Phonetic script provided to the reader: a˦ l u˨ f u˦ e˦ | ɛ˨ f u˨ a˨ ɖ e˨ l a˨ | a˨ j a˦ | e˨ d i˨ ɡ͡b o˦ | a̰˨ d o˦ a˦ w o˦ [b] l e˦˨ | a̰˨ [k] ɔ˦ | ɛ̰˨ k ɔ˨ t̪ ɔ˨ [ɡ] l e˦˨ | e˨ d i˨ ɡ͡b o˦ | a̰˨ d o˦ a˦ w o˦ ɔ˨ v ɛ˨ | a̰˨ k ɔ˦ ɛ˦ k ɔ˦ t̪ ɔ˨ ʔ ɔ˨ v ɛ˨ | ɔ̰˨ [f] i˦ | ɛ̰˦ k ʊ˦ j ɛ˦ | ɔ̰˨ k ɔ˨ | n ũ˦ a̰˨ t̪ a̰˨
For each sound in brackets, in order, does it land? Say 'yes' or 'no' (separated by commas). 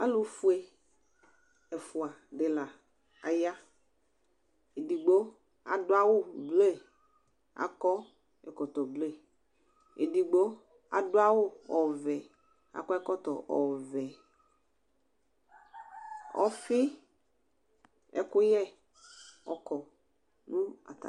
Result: yes, yes, no, yes